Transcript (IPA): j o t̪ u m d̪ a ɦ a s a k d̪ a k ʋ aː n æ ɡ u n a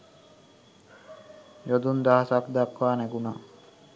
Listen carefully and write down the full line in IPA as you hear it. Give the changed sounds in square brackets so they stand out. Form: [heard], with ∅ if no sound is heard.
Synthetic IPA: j o [d̪] u [n] d̪ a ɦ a s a k d̪ a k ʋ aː n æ ɡ u n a